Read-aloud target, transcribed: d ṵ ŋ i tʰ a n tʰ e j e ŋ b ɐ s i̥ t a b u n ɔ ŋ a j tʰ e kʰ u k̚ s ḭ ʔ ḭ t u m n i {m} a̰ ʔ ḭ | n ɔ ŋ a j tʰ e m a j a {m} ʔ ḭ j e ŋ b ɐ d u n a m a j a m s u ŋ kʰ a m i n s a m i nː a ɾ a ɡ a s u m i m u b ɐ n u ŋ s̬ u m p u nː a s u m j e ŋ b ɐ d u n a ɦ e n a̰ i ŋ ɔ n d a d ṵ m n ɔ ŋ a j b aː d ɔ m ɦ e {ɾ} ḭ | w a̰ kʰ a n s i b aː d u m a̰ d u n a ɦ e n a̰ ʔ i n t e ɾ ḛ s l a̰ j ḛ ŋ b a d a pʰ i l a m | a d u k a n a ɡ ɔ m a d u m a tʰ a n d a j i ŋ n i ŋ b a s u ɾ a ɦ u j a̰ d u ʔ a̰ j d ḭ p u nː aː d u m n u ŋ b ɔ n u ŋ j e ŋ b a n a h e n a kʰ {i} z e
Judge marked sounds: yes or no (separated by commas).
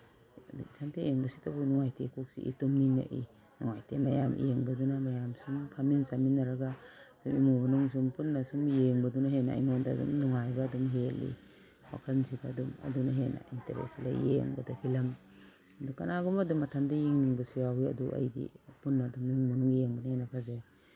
no, yes, no, no